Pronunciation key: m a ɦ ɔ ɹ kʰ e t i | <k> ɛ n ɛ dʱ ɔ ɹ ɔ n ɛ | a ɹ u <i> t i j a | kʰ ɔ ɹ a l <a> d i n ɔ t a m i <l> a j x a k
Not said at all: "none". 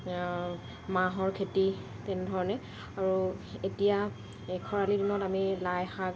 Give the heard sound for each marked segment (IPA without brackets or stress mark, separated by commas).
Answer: t, e, i, l